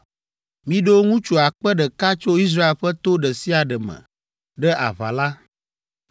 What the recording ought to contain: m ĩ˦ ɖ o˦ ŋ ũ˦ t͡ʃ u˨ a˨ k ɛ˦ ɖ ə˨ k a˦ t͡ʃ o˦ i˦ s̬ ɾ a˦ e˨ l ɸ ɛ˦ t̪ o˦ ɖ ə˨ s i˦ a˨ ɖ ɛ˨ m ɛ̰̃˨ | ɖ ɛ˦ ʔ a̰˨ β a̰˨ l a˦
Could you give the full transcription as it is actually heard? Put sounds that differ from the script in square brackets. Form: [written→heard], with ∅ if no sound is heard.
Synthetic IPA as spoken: m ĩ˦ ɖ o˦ ŋ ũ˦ t͡ʃ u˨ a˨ [k→k͡p] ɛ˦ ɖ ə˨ k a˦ t͡ʃ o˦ i˦ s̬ ɾ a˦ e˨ l ɸ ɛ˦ t̪ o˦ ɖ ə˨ s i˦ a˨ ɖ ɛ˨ m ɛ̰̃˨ | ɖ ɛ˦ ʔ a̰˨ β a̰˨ l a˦

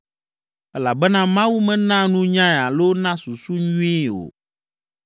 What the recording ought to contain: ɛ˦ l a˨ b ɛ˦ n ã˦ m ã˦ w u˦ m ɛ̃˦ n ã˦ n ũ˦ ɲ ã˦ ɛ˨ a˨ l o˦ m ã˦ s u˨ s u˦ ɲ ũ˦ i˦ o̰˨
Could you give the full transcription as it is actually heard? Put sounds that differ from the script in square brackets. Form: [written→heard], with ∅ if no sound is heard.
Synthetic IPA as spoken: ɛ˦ l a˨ b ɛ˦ n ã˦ m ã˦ w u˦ m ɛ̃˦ n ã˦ n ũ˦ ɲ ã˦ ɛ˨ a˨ l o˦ [m→n] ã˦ s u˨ s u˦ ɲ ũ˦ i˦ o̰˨

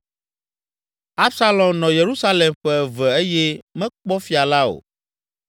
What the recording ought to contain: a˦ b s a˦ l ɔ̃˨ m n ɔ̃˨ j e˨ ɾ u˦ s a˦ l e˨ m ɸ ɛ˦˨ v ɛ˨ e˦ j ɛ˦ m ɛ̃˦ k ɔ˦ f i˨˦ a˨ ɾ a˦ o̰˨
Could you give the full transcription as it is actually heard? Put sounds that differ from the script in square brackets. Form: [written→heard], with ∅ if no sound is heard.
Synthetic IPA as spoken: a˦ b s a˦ l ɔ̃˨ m n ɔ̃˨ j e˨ ɾ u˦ s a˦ l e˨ m ɸ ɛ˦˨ v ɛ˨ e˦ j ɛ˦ m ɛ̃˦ [k→k͡p] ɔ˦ f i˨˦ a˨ [ɾ→l] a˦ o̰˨

